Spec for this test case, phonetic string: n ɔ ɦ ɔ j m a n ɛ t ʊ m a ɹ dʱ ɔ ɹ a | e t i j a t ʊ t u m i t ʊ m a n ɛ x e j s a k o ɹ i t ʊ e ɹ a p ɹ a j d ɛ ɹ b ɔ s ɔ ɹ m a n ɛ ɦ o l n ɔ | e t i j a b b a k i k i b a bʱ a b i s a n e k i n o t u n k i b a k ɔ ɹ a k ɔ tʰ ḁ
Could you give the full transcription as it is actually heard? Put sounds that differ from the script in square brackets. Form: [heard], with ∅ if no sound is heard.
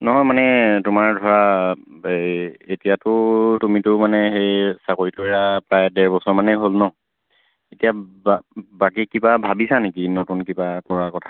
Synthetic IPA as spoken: n ɔ ɦ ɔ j m a n ɛ t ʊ m a ɹ dʱ ɔ ɹ a | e t i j a t ʊ t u m i t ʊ m a n ɛ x e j s a k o ɹ i t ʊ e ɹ a p ɹ a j d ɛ ɹ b ɔ s ɔ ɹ m a n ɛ ɦ o l n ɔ | e t i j a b b a k i k i b a bʱ a b i s a n e k i n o t u n k i b a k ɔ ɹ a k ɔ tʰ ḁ